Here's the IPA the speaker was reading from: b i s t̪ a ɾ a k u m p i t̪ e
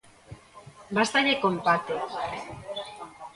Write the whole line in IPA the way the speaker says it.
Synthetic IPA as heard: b a s t̪ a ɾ e k o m p a t̪ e